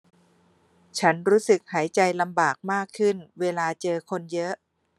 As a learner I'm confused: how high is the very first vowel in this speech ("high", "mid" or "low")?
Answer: low